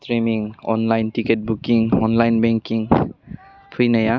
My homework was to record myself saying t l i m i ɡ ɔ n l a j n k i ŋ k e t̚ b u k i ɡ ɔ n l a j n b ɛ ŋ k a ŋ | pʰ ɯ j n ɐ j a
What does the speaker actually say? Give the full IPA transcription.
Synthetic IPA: t ɾ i m i ŋ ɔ n l a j n t i k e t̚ b u k i ŋ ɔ n l a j n b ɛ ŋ k i ŋ | pʰ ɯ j n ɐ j a

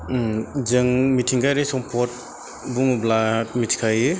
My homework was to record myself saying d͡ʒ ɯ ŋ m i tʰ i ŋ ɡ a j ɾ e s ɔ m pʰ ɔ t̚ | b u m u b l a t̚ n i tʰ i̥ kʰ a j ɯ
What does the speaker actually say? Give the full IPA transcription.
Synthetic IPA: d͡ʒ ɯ ŋ m i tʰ i ŋ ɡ a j ɾ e s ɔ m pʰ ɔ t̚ | b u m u b l a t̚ m i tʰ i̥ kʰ a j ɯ

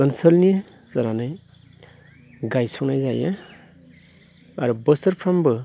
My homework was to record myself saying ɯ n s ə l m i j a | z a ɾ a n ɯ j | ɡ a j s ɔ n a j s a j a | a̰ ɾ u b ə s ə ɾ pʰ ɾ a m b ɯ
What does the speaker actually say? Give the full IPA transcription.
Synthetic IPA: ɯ n s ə l n i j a | z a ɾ a n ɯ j | ɡ a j s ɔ n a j z a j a | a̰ ɾ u b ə s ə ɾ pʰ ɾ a m b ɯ

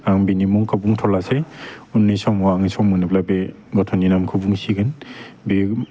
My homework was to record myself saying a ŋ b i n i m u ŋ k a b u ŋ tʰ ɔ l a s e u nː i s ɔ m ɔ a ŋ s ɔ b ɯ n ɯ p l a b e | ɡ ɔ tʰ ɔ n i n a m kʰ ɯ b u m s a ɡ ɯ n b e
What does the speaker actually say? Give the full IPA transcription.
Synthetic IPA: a ŋ b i n i m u ŋ k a b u ŋ tʰ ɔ l a s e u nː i s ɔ m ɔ a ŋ s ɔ m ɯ n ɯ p l a b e | ɡ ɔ tʰ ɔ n i n a m kʰ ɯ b u ŋ s i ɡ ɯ n b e

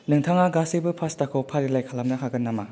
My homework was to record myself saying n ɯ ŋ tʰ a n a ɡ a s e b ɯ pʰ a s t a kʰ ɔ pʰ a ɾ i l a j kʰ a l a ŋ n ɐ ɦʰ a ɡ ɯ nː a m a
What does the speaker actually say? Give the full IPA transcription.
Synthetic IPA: n ɯ ŋ tʰ a ŋ a ɡ a s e b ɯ pʰ a s t a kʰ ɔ pʰ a ɾ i l a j kʰ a l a m n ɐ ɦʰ a ɡ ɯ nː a m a

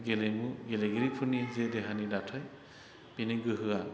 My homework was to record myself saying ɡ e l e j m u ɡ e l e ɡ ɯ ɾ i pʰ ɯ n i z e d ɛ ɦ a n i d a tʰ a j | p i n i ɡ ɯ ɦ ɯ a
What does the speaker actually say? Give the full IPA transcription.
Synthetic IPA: ɡ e l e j m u ɡ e l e ɡ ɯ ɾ i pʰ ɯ n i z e d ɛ ɦ a n i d a tʰ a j | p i n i ɡ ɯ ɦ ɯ a

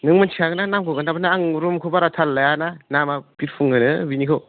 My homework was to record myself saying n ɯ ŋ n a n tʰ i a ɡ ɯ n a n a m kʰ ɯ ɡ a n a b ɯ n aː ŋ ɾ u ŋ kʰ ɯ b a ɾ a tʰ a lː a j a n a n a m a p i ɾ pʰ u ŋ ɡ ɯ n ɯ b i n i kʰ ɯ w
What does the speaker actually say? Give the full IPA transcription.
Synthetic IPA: n ɯ ŋ m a n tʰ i a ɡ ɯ n a n a m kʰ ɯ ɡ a n a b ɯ n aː ŋ ɾ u m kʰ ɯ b a ɾ a tʰ a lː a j a n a n a m a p i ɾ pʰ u ŋ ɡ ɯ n ɯ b i n i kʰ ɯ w

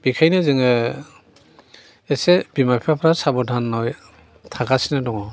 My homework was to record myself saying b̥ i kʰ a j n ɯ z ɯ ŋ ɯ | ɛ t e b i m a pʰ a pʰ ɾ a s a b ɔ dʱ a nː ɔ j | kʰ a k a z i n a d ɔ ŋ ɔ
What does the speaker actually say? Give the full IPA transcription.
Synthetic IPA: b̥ i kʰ a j n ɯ z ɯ ŋ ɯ | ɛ s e b i m a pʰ a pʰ ɾ a s a b ɔ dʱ a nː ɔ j | tʰ a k a s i n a d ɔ ŋ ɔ

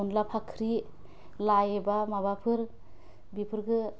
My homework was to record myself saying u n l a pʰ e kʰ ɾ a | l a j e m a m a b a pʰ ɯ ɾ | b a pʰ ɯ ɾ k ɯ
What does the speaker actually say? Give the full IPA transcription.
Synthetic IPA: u n l a pʰ a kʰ ɾ i | l a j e b a m a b a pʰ ɯ ɾ | b i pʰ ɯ ɾ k ɯ

